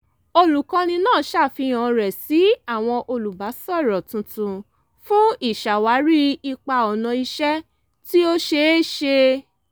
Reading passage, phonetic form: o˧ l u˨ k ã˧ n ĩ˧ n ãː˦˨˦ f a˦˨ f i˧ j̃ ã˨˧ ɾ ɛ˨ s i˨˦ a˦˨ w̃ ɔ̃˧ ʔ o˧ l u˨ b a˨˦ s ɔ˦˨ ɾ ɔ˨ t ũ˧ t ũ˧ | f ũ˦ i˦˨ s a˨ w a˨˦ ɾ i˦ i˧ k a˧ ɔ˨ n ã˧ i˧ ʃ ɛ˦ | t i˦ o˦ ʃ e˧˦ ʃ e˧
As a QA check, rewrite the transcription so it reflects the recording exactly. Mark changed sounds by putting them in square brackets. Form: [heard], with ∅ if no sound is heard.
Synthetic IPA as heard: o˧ l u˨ k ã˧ n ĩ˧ n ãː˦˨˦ [ʃ] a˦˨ f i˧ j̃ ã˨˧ ɾ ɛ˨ s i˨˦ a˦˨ w̃ ɔ̃˧ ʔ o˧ l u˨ b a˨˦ s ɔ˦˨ ɾ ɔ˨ t ũ˧ t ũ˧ | f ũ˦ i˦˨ [ʃ] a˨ w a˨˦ ɾ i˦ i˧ [k͡p] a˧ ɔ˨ n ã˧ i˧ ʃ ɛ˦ | t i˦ o˦ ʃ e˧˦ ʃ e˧